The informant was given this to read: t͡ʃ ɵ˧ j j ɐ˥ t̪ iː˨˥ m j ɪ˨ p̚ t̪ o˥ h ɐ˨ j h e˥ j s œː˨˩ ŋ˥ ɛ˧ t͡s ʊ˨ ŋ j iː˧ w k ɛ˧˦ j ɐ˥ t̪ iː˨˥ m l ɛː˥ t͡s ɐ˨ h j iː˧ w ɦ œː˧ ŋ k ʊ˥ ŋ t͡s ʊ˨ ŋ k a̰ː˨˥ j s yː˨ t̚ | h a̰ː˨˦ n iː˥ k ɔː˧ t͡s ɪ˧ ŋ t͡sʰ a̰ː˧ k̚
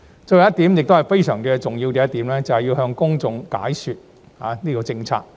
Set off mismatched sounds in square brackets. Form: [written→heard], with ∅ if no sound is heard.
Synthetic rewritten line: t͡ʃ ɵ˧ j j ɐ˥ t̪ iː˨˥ m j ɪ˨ [p̚→k̚] t̪ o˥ h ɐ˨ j [h→f] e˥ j s œː˨˩ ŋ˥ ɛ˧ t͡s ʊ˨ ŋ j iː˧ w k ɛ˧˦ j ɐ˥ t̪ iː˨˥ m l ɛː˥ t͡s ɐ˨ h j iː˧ w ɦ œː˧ ŋ k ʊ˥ ŋ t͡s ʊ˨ ŋ k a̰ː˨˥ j s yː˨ t̚ | h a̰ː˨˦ n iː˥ k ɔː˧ t͡s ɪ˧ ŋ t͡sʰ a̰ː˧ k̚